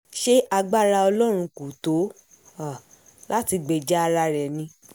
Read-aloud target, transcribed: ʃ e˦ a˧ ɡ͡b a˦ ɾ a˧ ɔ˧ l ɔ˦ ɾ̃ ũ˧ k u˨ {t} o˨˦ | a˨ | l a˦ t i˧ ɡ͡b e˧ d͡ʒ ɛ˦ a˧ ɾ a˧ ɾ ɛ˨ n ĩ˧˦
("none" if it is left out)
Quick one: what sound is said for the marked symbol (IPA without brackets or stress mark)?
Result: t